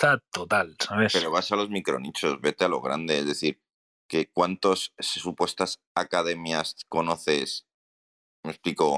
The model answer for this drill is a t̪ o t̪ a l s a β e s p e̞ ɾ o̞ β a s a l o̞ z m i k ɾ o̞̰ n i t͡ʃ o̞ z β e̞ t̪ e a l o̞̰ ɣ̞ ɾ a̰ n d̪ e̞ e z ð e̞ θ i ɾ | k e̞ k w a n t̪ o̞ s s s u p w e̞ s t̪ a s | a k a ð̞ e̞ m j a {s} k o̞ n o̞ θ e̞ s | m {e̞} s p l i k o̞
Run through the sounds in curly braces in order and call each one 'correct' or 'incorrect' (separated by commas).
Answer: correct, correct